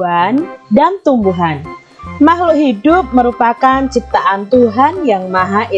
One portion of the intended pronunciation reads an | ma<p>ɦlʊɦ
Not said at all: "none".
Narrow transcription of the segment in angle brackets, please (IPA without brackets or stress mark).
none